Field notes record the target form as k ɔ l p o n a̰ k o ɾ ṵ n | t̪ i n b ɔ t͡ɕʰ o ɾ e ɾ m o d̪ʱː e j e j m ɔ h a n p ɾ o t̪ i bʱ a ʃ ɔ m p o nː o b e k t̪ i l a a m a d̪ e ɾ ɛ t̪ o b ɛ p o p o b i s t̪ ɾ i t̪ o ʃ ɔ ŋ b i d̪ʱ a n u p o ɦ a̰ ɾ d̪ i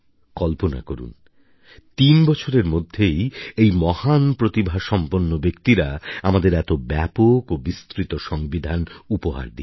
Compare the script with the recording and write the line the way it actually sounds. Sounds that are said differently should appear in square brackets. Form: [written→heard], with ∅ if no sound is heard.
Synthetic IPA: k ɔ l p o n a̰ k o ɾ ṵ n | t̪ i n b ɔ t͡ɕʰ o ɾ e ɾ m o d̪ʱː e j e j m ɔ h a n p ɾ o t̪ i bʱ a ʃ ɔ m p o nː o b e k t̪ i [l→ɾ] a a m a d̪ e ɾ ɛ t̪ o b ɛ p o [p→k] o b i s t̪ ɾ i t̪ o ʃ ɔ ŋ b i d̪ʱ a n u p o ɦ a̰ ɾ d̪ i